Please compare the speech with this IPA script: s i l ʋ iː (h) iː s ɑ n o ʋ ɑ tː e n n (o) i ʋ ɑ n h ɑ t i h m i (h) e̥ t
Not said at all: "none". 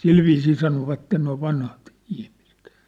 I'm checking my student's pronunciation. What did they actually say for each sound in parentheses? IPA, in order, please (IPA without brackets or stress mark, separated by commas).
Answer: s, o, s